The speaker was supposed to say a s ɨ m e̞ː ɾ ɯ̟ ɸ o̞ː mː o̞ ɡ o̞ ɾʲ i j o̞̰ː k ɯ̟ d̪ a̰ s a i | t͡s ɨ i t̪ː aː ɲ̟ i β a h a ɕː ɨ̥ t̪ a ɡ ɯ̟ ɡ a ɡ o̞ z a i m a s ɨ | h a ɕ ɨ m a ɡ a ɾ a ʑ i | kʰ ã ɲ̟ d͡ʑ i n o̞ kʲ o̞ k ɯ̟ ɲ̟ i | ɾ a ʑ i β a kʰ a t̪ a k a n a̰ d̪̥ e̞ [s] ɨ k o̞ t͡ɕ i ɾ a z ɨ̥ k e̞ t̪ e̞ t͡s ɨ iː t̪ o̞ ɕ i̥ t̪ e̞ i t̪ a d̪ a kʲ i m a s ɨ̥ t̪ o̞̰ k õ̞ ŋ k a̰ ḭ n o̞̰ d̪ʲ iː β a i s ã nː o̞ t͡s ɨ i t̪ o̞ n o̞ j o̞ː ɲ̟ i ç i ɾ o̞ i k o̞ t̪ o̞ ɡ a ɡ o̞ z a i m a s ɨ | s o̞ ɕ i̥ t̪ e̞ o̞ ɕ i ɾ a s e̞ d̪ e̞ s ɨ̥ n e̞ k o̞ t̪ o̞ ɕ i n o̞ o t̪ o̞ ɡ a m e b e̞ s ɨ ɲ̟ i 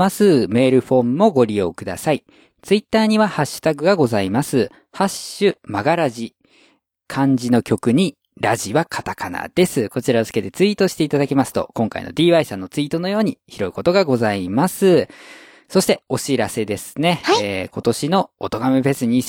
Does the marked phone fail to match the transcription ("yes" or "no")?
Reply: no